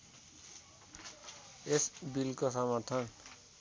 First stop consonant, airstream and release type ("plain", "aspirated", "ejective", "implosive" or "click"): plain